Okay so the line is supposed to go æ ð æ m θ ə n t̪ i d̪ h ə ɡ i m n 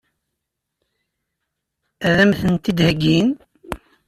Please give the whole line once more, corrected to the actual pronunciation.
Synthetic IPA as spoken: æ ð æ m θ ə n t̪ i d̪ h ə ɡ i n